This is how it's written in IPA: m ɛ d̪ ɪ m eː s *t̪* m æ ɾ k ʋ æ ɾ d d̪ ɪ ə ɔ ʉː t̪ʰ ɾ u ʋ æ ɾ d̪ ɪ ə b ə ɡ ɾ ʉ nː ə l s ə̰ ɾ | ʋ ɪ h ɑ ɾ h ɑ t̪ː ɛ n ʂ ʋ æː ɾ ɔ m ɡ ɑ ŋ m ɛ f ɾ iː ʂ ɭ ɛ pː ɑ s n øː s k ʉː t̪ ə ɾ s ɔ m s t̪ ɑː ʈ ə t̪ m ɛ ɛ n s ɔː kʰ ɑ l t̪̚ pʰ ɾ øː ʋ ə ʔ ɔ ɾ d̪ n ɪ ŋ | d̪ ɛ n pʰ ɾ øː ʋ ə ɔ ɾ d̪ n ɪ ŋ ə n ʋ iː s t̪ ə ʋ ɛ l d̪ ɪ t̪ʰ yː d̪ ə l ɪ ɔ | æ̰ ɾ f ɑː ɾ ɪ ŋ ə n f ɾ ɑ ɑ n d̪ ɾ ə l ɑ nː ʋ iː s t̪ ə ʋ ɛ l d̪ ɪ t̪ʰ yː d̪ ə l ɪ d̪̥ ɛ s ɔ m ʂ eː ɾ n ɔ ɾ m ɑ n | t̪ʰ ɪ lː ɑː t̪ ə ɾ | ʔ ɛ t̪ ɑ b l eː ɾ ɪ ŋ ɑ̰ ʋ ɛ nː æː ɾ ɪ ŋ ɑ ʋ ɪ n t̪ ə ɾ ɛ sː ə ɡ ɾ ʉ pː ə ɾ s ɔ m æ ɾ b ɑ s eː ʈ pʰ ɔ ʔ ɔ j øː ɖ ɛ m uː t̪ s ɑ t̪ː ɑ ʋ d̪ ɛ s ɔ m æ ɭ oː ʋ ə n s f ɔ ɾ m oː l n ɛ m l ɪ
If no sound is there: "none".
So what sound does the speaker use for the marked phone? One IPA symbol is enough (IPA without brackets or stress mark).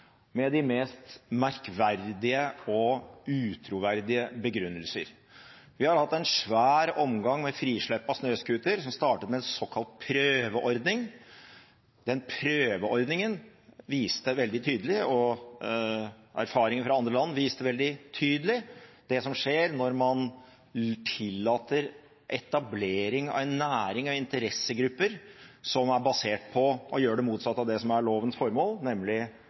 t̪